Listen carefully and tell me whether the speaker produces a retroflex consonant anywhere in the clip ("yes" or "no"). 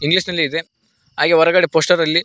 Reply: yes